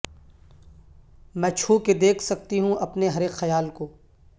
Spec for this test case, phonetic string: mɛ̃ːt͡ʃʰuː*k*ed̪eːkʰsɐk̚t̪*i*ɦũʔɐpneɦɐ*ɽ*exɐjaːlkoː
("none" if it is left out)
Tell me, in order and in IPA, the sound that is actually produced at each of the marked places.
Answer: k, i, ɾ

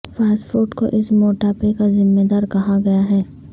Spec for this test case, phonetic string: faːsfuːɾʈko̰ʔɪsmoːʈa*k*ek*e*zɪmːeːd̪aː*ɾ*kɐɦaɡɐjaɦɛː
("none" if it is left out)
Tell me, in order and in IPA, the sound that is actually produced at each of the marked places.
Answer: p, a, ɾ

